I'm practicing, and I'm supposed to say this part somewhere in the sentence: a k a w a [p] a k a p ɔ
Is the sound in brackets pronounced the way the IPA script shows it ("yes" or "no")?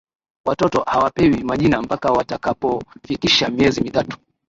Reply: no